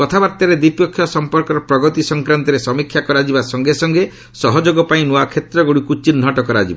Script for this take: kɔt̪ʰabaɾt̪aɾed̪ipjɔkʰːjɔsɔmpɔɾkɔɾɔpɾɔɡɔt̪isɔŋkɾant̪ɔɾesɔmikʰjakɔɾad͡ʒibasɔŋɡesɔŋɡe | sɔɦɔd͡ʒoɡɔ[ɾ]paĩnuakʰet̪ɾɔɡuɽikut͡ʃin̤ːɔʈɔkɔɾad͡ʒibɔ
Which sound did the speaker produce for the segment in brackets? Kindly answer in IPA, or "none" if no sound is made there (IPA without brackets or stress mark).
none